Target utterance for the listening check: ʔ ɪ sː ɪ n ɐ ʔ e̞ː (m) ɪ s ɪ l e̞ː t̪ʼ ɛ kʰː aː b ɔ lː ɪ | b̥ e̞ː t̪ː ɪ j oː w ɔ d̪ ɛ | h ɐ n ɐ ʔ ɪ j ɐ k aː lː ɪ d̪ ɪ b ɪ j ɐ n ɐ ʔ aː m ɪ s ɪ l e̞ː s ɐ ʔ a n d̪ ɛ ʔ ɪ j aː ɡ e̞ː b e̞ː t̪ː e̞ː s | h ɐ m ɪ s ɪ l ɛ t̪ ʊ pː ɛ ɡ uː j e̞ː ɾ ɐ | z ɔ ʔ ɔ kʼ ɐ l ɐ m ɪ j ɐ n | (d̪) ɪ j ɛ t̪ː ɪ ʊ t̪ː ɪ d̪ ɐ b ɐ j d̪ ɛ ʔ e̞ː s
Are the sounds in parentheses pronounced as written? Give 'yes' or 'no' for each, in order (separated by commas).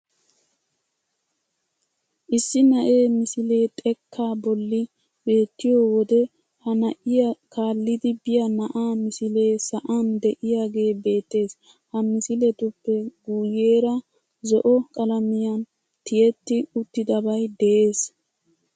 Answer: yes, no